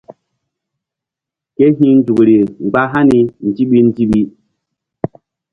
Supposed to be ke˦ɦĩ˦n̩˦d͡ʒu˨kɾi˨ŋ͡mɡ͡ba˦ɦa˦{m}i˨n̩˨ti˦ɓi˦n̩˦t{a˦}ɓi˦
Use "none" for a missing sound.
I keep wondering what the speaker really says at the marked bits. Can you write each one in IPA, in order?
n, i˦

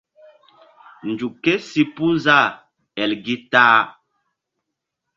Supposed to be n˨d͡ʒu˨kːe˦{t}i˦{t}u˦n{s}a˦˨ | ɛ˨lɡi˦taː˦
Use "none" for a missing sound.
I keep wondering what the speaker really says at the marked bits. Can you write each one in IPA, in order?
s, p, z

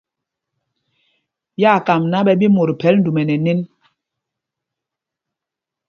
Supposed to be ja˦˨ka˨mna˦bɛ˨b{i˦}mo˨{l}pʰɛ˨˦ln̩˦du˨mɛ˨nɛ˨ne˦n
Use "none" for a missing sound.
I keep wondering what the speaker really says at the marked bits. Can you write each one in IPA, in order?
i˦, ɾ

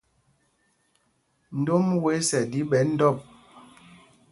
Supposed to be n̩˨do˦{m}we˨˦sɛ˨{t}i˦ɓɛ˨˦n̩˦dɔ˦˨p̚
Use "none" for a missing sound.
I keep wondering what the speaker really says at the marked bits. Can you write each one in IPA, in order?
m, d

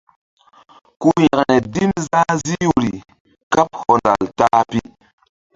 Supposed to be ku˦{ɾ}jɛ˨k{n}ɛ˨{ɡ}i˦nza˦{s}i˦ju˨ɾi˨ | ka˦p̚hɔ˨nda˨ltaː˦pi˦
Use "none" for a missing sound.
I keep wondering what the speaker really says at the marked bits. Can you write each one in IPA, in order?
none, n, d, z

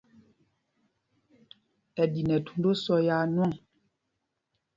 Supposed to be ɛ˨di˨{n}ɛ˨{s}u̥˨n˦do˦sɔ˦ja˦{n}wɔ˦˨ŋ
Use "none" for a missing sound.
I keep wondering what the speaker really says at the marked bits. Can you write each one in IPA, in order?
n, t, n

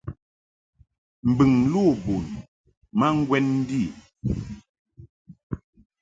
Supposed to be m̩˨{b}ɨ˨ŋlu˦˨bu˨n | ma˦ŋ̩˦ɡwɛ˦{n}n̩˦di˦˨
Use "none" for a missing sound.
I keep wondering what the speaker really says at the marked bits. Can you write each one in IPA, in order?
b, n

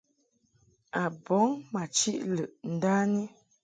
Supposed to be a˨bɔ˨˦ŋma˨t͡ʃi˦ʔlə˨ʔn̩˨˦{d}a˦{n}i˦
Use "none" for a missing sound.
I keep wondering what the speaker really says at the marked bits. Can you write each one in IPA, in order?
d, n

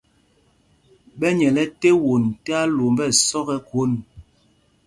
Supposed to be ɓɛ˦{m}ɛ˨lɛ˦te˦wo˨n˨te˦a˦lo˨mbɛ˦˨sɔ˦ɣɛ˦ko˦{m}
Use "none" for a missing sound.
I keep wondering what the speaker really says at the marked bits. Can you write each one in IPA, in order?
ɲ, n

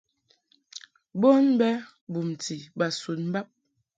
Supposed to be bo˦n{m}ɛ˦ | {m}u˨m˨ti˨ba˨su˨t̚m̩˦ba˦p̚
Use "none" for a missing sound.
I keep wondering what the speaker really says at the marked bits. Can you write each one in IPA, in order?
b, b

